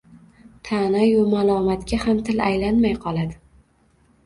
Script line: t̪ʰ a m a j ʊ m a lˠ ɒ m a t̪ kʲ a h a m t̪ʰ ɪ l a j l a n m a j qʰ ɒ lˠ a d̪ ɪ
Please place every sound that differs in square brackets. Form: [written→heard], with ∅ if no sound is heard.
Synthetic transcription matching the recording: t̪ʰ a [m→n] a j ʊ m a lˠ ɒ m a t̪ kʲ a h a m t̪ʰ ɪ l a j l a n m a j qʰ ɒ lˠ a d̪ ɪ